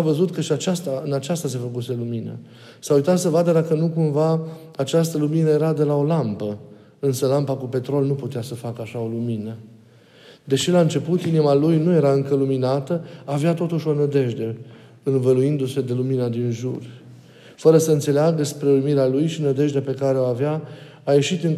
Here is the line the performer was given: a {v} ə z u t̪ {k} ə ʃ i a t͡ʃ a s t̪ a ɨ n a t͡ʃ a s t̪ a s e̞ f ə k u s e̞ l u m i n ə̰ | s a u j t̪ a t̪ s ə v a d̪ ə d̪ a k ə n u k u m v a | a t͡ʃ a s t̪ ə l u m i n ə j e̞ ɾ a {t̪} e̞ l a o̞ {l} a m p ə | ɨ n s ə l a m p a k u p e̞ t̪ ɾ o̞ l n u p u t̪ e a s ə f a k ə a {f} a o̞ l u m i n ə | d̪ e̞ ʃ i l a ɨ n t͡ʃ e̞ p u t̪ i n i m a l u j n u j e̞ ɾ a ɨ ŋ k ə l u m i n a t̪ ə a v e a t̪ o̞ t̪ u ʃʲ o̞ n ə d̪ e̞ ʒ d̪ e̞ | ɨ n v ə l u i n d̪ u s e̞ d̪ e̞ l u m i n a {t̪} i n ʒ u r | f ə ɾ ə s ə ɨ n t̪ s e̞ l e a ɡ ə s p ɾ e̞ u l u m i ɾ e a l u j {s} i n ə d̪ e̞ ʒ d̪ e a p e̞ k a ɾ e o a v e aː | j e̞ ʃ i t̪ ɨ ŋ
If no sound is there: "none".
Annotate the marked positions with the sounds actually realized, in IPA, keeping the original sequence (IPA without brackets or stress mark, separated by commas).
v, k, d̪, l, ʃ, d̪, ʃ